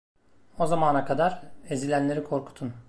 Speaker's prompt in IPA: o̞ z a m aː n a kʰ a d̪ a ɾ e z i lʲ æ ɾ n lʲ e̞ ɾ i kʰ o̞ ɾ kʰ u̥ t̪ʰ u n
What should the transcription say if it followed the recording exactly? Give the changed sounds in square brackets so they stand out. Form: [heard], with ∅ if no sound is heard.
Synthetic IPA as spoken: o̞ z a m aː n a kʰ a d̪ a ɾ e z i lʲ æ [∅] n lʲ e̞ ɾ i kʰ o̞ ɾ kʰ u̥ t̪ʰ u n